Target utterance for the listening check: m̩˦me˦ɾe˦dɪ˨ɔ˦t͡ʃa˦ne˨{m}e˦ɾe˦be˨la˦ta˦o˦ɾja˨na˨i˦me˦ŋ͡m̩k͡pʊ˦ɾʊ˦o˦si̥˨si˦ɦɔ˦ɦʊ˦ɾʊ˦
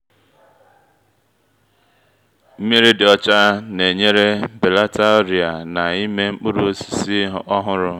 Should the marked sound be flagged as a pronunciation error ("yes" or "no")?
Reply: yes